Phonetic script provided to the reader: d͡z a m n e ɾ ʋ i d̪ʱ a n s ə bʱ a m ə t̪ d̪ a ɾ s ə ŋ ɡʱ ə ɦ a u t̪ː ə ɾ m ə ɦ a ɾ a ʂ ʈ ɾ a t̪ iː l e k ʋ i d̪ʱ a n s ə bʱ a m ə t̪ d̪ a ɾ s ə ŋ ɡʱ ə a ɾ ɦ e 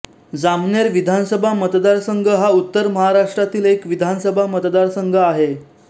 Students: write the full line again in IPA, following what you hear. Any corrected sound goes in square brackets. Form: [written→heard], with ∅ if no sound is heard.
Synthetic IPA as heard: d͡z a m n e ɾ ʋ i d̪ʱ a n s ə bʱ a m ə t̪ d̪ a ɾ s ə ŋ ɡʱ ə ɦ a u t̪ː ə ɾ m ə ɦ a ɾ a ʂ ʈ ɾ a t̪ iː l e k ʋ i d̪ʱ a n s ə bʱ a m ə t̪ d̪ a ɾ s ə ŋ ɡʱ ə a [ɾ→∅] ɦ e